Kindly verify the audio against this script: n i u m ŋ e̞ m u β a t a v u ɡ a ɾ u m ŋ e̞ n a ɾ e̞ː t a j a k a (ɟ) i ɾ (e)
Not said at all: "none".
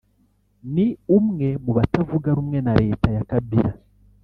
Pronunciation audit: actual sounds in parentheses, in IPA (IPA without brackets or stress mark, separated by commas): b, a